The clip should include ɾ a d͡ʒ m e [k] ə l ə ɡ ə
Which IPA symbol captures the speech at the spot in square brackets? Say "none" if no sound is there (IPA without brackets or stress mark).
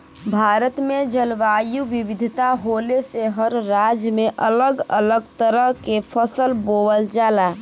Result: ʔ